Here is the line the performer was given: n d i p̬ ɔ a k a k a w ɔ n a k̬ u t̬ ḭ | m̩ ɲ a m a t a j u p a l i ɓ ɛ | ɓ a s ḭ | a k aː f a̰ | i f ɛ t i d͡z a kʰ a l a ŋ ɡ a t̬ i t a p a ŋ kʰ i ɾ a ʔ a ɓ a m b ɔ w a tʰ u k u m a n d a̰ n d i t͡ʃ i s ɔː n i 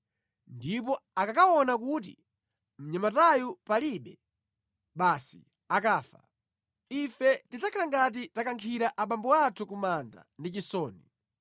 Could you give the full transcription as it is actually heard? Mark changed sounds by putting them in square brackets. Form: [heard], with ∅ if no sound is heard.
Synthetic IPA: n d i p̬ ɔ a k a k a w ɔ n a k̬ u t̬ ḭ | m̩ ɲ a m a t a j u p a l i ɓ ɛ | ɓ a s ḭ | a k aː f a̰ | i f ɛ t i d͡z a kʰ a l a ŋ ɡ a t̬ i t a [k] a ŋ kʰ i ɾ a ʔ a ɓ a m b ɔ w a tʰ u k u m a n d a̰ n d i t͡ʃ i s ɔː n i